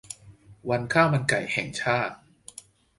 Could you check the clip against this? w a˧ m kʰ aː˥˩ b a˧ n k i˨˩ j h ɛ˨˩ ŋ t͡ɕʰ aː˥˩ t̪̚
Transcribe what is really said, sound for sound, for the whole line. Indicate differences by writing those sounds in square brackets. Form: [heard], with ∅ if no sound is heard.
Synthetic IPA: w a˧ [n] kʰ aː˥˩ [m] a˧ n k [a˨˩] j h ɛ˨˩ ŋ t͡ɕʰ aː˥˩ t̪̚